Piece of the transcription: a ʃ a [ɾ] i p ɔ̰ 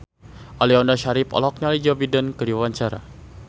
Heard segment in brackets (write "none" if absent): ɾ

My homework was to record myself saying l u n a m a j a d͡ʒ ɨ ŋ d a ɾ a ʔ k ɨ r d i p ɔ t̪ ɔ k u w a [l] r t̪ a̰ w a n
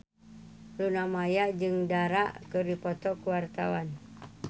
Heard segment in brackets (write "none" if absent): none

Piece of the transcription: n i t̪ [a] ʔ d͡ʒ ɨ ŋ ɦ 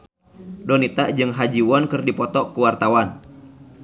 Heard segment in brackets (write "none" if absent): a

